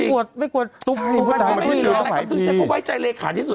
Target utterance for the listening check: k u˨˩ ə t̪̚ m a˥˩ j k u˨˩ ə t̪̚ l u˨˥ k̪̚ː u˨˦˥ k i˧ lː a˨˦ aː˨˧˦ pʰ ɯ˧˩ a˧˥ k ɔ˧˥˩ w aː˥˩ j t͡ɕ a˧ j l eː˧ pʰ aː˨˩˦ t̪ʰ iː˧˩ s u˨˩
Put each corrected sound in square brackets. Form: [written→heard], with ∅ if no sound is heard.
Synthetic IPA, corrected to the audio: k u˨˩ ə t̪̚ m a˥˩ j k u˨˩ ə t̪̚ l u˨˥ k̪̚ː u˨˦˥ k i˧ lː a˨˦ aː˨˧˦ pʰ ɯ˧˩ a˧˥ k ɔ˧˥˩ w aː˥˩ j t͡ɕ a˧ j l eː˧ [pʰ→kʰ] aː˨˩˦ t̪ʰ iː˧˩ s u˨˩